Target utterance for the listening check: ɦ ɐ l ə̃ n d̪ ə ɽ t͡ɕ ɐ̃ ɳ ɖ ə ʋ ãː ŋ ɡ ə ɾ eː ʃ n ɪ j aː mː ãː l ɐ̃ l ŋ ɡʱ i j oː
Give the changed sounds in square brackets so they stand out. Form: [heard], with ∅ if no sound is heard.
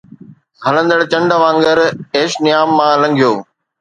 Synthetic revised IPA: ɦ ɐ l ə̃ n d̪ ə ɽ t͡ɕ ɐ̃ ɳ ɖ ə ʋ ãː ŋ ɡ ə ɾ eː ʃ n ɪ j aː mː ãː l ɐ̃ [∅] ŋ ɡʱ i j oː